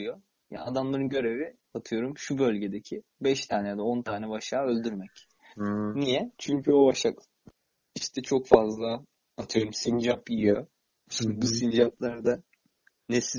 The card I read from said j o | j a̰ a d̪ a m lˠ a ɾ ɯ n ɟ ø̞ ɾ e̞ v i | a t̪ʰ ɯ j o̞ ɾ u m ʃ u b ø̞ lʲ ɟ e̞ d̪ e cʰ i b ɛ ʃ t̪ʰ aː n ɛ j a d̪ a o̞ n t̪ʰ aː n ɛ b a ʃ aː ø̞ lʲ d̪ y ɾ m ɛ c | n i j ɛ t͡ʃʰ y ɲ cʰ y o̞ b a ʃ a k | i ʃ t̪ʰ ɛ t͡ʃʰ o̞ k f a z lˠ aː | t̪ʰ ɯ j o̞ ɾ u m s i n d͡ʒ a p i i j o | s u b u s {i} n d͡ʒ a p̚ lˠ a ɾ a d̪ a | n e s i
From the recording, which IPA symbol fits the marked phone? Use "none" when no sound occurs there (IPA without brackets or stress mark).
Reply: i